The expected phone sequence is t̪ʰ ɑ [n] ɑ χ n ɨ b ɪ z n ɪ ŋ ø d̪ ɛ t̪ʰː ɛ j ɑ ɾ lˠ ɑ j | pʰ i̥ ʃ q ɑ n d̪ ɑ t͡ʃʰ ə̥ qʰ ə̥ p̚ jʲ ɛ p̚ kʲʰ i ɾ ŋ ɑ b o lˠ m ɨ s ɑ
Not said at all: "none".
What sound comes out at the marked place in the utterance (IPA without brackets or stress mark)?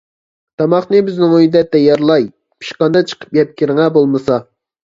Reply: m